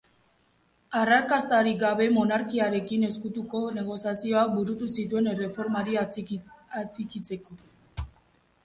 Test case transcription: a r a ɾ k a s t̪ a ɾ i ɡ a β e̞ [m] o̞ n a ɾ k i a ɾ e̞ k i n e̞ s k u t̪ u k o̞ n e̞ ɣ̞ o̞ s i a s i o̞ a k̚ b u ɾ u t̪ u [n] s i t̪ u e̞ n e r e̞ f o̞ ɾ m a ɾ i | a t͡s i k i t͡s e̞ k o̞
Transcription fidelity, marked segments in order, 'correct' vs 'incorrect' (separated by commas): correct, incorrect